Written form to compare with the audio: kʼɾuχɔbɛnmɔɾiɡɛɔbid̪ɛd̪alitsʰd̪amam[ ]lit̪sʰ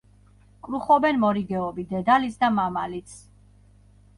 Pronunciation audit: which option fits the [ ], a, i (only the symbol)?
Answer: a